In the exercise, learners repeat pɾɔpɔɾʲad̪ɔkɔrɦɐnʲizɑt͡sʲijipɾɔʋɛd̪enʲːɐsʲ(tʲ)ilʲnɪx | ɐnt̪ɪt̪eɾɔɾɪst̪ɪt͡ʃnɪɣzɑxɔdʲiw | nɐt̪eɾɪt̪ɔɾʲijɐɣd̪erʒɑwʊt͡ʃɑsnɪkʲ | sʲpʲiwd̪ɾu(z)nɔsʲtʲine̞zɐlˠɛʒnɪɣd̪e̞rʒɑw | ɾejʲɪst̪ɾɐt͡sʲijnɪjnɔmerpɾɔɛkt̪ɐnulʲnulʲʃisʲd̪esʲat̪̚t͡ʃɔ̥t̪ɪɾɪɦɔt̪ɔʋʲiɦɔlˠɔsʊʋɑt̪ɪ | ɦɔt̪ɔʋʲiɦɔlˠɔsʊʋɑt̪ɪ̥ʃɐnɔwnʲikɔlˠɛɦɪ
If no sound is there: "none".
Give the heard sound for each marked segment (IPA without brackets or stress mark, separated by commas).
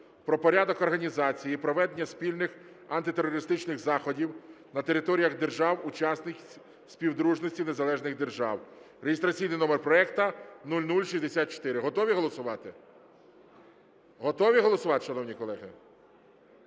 pʲ, ʒ